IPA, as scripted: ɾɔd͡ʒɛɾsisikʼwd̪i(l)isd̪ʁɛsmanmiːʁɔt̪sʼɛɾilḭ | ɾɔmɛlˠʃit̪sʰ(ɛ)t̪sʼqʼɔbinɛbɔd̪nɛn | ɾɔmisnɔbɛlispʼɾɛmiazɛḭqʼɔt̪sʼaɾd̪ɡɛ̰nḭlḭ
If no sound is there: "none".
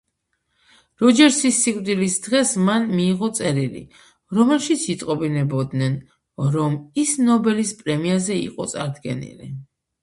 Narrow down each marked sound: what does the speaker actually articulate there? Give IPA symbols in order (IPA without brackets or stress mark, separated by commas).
l, i